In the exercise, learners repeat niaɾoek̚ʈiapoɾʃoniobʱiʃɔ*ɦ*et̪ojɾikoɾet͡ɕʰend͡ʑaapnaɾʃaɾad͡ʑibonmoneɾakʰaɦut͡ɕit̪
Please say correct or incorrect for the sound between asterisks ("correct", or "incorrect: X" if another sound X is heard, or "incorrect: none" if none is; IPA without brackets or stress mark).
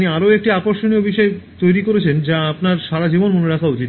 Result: incorrect: none